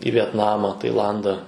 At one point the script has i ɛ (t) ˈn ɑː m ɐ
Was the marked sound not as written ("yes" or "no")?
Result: no